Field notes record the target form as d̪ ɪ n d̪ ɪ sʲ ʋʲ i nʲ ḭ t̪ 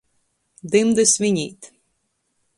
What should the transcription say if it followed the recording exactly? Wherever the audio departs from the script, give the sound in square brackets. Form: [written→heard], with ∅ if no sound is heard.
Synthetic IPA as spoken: d̪ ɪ [n→m] d̪ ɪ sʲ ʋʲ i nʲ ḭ t̪